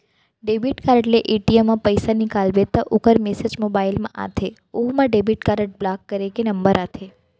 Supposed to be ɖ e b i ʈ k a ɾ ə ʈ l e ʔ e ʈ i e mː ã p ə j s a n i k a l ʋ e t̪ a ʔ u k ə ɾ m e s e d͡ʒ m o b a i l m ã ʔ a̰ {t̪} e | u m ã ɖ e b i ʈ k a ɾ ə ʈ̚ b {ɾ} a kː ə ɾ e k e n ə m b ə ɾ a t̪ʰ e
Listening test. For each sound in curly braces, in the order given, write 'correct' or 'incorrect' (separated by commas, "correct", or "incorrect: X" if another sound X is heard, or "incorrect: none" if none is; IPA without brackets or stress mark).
incorrect: t̪ʰ, incorrect: l